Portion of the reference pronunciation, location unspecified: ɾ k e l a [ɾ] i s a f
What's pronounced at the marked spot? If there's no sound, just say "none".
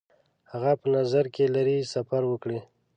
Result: ɾ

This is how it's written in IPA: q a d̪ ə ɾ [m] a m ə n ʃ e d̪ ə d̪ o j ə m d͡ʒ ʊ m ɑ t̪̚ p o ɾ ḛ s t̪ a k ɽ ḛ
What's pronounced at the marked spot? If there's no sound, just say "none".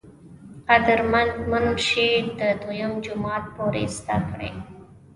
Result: m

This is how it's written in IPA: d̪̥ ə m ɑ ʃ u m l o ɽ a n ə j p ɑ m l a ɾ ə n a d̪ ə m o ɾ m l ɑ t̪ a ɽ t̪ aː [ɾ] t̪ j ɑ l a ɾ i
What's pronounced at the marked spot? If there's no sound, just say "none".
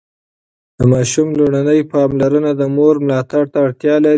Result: ɽ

